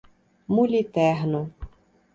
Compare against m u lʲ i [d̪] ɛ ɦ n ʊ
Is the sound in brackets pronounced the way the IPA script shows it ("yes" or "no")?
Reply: no